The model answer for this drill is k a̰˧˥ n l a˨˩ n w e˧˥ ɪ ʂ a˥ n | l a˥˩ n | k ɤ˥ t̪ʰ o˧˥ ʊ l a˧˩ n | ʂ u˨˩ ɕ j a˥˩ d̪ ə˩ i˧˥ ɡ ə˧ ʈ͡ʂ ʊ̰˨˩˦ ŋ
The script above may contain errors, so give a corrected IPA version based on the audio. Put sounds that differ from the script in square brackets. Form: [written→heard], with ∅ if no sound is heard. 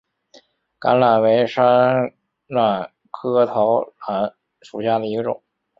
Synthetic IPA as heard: k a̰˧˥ n l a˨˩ n w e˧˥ ɪ ʂ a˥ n | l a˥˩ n | [k→kʰ] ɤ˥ t̪ʰ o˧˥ ʊ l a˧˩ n | ʂ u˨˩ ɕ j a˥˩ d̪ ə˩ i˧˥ ɡ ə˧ ʈ͡ʂ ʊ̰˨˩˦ ŋ